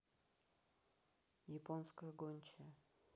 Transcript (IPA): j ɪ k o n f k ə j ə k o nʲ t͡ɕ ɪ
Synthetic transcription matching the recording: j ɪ p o n s k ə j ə ɡ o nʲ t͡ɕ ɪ

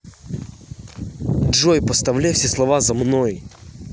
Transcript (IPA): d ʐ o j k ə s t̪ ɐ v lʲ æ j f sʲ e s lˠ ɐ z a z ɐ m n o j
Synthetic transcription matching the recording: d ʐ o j p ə s t̪ ɐ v lʲ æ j f sʲ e s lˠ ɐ v a z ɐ m n o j

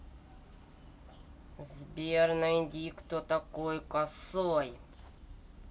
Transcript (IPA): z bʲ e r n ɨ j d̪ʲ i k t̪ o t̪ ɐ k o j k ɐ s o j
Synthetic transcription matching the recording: z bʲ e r n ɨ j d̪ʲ i k t̪ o t̪ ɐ k o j k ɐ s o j

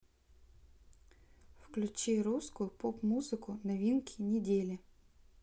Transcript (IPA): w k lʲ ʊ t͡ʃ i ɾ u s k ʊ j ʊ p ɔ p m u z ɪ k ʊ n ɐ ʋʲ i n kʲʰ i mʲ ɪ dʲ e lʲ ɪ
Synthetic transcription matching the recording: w k lʲ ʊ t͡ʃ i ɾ u s k ʊ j ʊ p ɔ p m u z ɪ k ʊ n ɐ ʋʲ i n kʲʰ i nʲ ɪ dʲ e lʲ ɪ

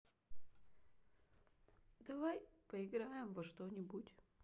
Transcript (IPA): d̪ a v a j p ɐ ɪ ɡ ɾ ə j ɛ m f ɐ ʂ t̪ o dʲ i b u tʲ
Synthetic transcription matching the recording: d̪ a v a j p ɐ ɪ ɡ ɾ a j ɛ m v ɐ ʂ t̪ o nʲ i b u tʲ

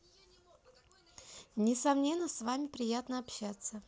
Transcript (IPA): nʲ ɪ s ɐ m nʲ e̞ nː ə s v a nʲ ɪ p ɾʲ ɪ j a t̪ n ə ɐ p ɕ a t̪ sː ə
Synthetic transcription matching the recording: nʲ ɪ s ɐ m nʲ e̞ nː ə s v a mʲ ɪ p ɾʲ ɪ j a t̪ n ə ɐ p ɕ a t̪ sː ə

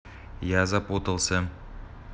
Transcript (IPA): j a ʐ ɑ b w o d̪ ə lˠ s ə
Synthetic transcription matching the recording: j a z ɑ p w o t̪ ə lˠ s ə

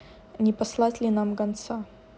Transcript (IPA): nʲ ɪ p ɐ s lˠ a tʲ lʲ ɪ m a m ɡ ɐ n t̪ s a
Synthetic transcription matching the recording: nʲ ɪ p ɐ s lˠ a tʲ lʲ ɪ n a m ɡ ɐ n t̪ s a

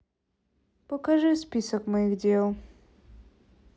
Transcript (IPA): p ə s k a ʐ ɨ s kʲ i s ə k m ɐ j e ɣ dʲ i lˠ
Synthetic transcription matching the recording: p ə k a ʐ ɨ s pʲ i s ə k m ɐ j i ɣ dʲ e lˠ

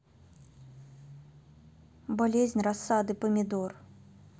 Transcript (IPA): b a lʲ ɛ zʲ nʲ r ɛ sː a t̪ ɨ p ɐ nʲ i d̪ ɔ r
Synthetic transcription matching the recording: b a lʲ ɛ zʲ nʲ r a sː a d̪ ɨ p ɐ mʲ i d̪ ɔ r

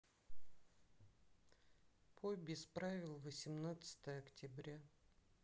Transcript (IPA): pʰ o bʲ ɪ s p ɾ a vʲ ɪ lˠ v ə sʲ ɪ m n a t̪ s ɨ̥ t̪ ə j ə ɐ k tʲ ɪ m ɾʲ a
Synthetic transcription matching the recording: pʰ o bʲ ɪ s p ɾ a vʲ ɪ lˠ v ə sʲ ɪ m n a t̪ s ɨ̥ t̪ ə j ə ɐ k tʲ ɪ b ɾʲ a

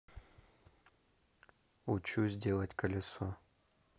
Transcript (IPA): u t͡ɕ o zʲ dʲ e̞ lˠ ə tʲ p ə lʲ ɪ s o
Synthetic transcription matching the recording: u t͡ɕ u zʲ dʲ e̞ lˠ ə tʲ k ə lʲ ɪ s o

